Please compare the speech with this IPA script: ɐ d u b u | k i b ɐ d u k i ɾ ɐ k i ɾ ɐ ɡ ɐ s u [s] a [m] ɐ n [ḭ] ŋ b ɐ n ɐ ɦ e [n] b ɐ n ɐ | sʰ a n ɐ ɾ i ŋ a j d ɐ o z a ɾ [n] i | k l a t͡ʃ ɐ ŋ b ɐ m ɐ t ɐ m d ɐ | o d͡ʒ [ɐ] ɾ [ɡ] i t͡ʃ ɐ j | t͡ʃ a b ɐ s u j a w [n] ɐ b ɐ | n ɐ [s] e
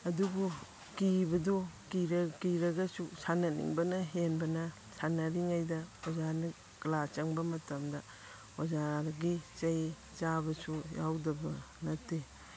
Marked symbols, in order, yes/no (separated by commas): yes, no, yes, yes, yes, no, yes, no, no